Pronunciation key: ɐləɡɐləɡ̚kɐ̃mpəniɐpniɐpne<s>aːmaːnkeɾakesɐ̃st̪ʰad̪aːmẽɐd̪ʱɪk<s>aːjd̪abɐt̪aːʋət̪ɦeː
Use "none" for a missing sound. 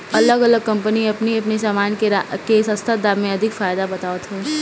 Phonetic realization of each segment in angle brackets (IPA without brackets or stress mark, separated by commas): s, f